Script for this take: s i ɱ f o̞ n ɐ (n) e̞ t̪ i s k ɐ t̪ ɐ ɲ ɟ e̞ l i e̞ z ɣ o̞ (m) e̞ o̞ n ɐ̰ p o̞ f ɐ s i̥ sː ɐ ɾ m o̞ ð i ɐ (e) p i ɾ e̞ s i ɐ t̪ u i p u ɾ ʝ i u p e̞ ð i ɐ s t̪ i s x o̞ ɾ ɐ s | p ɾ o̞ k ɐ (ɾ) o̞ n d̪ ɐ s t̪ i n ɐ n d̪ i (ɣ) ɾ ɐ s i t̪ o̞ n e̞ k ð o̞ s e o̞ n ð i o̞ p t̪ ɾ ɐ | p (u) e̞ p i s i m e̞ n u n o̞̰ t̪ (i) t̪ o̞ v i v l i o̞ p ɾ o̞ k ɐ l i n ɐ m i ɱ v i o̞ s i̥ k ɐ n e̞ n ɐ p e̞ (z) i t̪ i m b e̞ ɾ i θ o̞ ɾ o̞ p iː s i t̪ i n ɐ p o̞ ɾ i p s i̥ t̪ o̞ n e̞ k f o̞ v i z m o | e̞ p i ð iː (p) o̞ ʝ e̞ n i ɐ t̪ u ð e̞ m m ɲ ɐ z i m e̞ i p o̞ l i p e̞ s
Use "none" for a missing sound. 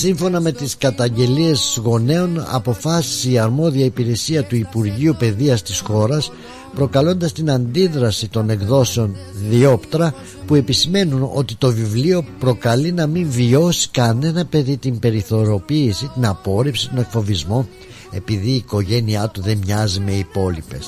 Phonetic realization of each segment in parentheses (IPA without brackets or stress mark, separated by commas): m, n, i, l, ð, u, i, ð, k